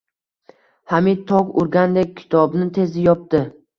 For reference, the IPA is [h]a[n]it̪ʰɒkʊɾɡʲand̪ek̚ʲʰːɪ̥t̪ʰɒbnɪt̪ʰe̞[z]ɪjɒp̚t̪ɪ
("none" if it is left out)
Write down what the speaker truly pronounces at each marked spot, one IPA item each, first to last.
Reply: h, m, z

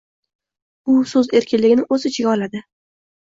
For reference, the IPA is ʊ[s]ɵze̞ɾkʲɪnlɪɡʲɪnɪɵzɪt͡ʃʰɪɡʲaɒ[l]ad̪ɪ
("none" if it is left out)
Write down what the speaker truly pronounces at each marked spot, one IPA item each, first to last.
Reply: s, l

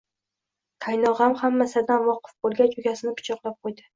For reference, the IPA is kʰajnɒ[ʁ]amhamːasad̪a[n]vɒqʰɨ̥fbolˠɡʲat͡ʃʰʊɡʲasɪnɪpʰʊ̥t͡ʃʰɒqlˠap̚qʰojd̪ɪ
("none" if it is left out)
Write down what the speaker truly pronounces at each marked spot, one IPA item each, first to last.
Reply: ʁ, n

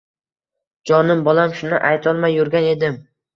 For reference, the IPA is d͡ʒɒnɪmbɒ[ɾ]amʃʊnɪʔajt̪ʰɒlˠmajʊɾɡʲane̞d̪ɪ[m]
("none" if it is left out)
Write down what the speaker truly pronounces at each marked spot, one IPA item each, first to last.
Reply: l, m

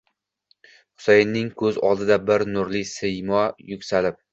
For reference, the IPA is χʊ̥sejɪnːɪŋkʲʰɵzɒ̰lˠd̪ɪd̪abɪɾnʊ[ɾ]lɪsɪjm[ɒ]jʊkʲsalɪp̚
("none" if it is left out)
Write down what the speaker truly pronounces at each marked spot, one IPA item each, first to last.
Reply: ɾ, ɒ

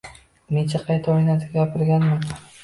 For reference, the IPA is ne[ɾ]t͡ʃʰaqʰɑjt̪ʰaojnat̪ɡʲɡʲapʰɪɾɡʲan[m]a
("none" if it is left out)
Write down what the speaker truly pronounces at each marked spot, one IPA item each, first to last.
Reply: none, m

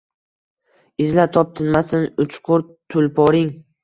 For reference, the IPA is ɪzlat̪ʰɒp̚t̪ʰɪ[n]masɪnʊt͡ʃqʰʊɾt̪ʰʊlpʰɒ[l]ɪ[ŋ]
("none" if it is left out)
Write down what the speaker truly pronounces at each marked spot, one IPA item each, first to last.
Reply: n, ɾ, ŋ

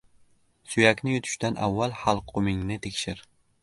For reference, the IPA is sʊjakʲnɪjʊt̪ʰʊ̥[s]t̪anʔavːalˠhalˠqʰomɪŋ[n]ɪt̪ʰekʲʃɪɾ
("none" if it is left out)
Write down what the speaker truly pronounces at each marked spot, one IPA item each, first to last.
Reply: ʃ, n

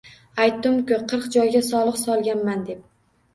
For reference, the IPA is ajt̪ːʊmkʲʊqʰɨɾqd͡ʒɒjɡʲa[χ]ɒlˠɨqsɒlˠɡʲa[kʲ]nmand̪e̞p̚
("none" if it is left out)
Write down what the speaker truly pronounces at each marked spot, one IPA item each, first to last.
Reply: s, none

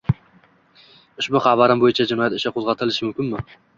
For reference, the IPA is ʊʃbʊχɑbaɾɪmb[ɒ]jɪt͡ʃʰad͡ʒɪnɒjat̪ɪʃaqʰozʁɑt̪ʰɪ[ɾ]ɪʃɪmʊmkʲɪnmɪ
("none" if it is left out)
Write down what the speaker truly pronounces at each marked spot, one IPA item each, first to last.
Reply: o, l

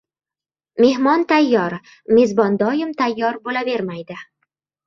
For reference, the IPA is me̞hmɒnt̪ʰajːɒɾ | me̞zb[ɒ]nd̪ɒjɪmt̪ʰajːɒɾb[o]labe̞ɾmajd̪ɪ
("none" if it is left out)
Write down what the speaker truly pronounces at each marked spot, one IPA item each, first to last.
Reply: ɒ, o

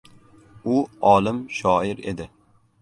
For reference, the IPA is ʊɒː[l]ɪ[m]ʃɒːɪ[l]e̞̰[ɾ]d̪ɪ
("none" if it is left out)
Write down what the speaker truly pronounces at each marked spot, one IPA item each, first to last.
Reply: l, m, ɾ, none

